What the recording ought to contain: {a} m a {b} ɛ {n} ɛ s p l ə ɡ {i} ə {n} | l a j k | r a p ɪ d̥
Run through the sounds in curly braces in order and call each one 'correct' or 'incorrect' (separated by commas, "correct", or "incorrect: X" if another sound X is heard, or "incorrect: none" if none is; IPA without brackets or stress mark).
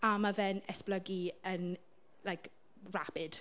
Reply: correct, incorrect: v, correct, correct, correct